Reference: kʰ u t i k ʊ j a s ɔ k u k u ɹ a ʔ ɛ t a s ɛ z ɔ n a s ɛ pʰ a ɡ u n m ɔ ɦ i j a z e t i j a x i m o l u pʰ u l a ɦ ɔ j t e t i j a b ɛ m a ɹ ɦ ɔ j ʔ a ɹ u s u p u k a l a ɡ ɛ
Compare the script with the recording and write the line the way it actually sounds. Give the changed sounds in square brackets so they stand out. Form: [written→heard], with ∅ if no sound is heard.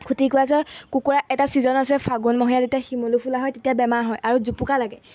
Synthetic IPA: kʰ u t i k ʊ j a s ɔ k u k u ɹ a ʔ ɛ t a s [ɛ→i] z ɔ n a s ɛ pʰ a ɡ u n m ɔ ɦ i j a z e t i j a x i m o l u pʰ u l a ɦ ɔ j t e t i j a b ɛ m a ɹ ɦ ɔ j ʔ a ɹ u [s→z] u p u k a l a ɡ ɛ